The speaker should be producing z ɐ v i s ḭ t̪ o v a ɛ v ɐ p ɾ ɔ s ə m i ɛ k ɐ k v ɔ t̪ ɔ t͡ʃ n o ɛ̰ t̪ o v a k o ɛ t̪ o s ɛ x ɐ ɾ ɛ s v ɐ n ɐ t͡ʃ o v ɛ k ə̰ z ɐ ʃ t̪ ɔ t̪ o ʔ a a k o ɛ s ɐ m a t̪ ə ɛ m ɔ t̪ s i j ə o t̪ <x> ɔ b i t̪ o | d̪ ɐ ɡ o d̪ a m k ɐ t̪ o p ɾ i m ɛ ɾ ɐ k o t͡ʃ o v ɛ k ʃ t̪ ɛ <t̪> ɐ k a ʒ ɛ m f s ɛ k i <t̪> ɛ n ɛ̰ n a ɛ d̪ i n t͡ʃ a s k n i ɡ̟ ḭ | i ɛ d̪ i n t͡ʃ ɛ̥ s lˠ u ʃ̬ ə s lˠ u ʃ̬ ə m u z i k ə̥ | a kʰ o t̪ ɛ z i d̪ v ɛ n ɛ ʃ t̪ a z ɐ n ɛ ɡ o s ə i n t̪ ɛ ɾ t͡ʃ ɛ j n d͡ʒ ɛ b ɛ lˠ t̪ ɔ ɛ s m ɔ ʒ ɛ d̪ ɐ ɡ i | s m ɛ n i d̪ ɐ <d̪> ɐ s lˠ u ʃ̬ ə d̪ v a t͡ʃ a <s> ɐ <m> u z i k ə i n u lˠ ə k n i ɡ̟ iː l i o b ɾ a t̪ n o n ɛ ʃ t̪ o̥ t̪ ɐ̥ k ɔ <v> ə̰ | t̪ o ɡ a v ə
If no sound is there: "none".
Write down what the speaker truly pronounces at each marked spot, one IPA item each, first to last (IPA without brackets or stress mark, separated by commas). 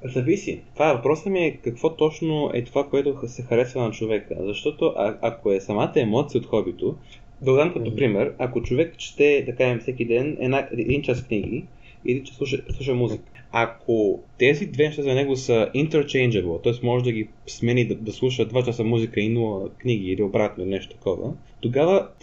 x, d̪, d̪, d̪, s, m, v